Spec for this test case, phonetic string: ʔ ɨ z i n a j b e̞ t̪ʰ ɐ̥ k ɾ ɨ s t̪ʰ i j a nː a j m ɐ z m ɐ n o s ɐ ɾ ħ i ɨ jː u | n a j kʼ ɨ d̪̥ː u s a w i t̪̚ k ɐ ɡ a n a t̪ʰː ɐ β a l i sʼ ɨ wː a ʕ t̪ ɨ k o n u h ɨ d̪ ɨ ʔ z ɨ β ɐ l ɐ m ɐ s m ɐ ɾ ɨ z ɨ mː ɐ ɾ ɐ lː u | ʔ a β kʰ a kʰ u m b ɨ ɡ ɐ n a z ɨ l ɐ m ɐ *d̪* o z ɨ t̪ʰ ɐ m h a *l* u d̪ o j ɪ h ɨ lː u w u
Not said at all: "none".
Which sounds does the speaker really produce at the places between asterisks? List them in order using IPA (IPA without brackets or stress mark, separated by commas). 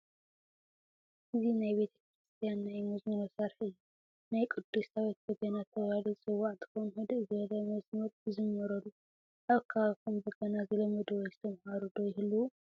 d̪, ɾ